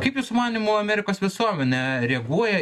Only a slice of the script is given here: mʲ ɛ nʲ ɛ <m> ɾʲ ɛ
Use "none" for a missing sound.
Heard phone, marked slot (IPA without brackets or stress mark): none